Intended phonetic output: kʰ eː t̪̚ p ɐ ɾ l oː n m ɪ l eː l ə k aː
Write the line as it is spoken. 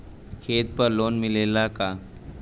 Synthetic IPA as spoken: kʰ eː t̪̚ p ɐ ɾ l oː n m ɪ l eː l a k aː